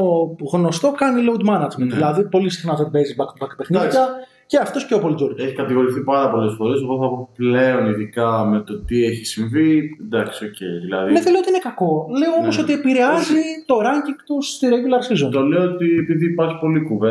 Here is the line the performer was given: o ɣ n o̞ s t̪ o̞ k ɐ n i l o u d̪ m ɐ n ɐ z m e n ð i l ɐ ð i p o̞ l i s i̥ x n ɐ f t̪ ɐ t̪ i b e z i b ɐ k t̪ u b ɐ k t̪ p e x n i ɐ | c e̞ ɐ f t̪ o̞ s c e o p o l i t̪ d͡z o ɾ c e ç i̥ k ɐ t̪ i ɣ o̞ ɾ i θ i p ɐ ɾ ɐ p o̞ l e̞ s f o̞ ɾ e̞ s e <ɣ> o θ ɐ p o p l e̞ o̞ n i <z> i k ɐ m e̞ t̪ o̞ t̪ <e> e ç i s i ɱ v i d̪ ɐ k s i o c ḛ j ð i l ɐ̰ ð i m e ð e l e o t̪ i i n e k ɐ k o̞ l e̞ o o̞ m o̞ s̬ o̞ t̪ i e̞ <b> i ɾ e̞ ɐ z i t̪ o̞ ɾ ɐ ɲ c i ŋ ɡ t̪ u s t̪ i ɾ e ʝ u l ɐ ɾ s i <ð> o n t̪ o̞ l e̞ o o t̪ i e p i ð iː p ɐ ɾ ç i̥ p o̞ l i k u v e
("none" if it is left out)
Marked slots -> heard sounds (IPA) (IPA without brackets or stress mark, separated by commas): ɣ, ð, i, p, z